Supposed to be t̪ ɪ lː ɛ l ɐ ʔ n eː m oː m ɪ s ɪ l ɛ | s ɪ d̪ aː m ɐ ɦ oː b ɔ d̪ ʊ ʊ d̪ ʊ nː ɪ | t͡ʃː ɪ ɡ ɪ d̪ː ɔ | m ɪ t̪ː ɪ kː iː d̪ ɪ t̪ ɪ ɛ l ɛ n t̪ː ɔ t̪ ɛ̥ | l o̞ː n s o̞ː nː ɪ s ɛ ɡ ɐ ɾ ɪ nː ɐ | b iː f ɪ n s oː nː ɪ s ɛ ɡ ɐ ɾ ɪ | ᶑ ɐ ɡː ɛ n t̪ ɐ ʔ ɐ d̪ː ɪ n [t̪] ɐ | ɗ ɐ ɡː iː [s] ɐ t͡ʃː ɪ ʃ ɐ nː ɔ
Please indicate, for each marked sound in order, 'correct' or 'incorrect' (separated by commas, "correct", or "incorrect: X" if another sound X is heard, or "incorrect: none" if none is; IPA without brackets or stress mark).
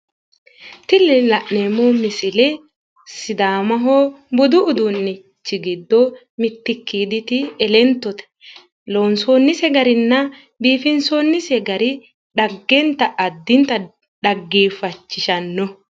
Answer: correct, incorrect: f